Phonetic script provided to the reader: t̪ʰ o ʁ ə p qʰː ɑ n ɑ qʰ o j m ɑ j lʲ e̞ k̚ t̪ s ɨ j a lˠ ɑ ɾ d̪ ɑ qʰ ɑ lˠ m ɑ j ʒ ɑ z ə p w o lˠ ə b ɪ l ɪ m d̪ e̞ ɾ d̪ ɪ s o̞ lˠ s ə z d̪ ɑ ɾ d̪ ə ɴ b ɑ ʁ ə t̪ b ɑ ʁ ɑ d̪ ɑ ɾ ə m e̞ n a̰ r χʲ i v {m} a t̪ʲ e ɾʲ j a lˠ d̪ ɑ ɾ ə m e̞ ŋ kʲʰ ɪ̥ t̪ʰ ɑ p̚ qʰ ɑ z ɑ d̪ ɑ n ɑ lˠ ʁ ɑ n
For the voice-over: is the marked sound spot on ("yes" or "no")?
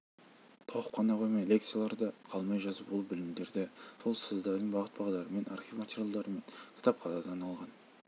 yes